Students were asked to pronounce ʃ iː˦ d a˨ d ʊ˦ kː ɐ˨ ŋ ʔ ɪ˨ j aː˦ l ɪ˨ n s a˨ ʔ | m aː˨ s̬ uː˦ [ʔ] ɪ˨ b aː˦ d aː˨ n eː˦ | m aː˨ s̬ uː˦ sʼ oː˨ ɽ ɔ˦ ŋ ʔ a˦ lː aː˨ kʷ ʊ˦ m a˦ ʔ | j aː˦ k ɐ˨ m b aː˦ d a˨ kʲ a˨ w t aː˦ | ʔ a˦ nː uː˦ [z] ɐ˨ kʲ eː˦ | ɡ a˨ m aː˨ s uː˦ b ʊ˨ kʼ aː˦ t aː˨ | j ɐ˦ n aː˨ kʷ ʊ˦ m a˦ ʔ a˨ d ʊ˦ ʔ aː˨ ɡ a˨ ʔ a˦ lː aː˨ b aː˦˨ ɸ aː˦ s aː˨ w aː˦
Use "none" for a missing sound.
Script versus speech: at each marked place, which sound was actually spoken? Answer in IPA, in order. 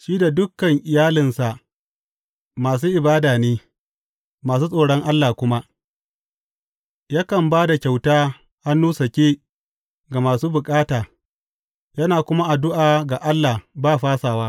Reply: ʔ, s

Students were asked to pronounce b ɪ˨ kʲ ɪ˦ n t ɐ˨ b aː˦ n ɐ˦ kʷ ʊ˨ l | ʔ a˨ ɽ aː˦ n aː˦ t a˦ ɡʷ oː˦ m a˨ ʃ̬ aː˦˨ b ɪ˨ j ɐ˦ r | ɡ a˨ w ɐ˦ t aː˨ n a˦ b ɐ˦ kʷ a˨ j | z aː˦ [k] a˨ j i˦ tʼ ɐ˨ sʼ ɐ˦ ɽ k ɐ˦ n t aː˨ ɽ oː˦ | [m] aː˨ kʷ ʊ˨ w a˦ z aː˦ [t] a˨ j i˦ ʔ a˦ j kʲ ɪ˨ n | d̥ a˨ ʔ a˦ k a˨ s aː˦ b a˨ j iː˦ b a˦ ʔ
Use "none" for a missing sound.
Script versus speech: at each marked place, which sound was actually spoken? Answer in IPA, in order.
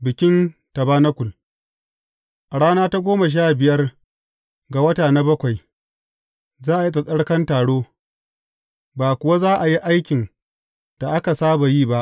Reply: ʔ, b, ʔ

